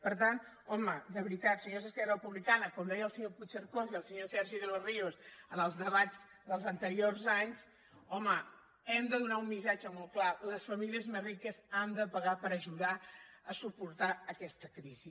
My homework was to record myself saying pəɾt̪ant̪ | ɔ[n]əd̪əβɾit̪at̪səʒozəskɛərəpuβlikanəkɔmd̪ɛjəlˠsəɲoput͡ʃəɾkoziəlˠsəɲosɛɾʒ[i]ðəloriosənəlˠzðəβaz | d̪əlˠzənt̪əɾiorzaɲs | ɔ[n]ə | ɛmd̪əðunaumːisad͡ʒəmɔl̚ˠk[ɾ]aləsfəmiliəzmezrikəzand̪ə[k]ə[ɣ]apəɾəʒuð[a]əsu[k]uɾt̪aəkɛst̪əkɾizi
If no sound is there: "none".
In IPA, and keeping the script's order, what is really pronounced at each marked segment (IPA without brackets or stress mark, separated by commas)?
m, i, m, l, p, ɣ, a, p